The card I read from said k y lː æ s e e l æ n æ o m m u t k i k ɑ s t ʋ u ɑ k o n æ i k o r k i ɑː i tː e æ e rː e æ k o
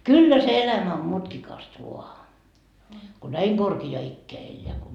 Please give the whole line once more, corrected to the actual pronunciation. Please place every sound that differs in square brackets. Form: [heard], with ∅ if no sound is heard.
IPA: k y lː æ s e e l æ [m] æ o m m u t k i k ɑ s t ʋ u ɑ k o n æ i k o r k i ɑː i [kː] e æ e [lː] e æ k o